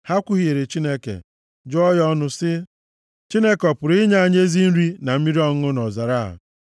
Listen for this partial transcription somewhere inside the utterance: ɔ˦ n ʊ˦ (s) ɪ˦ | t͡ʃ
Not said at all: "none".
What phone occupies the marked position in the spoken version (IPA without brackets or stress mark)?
s